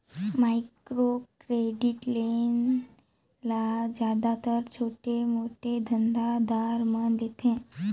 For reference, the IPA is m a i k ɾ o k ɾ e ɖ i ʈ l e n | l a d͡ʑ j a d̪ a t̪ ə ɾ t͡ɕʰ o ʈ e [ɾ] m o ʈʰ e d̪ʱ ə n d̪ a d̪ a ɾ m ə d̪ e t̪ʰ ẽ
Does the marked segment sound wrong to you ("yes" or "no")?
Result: yes